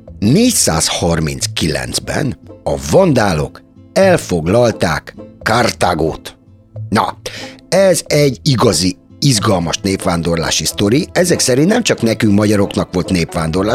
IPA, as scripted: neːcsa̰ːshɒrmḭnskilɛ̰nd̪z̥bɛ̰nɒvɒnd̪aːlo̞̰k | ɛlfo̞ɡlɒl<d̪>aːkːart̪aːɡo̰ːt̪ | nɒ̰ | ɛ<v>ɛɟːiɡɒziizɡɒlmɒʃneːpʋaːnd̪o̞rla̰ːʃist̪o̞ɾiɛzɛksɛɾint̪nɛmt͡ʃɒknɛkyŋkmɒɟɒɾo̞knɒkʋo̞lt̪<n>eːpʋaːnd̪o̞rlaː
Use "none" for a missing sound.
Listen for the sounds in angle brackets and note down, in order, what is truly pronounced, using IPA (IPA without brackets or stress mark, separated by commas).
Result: t̪, z, n